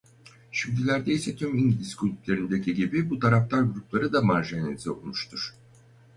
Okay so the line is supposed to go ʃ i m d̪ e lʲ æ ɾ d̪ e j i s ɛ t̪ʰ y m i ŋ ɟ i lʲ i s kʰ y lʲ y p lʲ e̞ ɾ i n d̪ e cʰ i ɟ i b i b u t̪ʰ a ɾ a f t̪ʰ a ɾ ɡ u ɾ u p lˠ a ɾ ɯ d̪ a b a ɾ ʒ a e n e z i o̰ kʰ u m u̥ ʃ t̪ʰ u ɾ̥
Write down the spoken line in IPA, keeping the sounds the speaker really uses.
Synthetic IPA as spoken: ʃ i m d̪ i lʲ æ ɾ d̪ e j i s ɛ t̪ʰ y m i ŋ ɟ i lʲ i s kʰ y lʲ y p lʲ e̞ ɾ i n d̪ e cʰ i ɟ i b i b u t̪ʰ a ɾ a f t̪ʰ a ɾ ɡ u ɾ u p lˠ a ɾ ɯ d̪ a m a ɾ ʒ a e n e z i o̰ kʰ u m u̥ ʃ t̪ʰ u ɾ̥